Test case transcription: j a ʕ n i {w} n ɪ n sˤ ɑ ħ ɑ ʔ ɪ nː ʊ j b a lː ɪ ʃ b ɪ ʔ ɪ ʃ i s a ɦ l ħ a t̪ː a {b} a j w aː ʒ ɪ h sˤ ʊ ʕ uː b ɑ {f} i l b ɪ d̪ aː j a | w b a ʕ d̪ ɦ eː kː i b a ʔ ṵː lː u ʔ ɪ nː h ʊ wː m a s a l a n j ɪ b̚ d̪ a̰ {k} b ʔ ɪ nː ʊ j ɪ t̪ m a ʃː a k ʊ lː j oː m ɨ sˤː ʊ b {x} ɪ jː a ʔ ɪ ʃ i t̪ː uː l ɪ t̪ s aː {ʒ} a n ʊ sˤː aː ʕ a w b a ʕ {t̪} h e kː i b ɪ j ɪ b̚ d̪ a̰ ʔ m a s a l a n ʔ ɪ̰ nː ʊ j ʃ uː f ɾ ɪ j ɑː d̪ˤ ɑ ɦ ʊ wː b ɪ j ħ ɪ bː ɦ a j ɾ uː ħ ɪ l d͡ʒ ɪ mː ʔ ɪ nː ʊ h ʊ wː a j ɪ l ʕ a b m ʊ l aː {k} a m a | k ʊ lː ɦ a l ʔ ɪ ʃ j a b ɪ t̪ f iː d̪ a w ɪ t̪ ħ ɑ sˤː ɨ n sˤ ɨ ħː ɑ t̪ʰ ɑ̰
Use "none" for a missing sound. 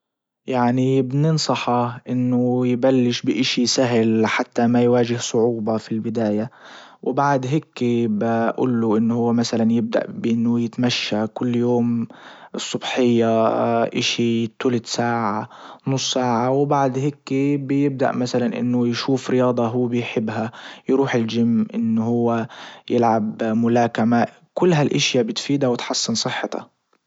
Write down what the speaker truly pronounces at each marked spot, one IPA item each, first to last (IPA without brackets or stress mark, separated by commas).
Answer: b, m, f, ʔ, ħ, ʕ, d̪, k